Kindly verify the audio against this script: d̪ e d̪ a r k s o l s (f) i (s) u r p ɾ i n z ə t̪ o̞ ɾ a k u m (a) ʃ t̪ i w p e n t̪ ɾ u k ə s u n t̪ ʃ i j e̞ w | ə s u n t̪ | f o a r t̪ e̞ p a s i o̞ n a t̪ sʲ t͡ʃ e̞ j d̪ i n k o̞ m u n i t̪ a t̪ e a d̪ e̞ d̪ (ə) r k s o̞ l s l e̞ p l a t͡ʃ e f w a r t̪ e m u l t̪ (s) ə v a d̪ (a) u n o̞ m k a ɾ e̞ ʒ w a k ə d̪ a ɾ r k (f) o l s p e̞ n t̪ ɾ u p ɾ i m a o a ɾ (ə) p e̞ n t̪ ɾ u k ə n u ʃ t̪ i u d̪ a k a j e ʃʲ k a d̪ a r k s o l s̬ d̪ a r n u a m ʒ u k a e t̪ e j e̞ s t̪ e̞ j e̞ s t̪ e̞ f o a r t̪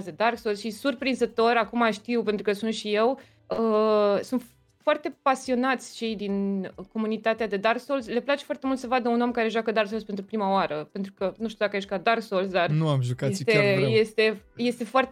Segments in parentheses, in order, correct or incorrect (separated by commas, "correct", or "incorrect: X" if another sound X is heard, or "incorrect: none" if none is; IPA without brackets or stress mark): incorrect: ʃ, correct, correct, incorrect: a, correct, incorrect: ə, incorrect: s, correct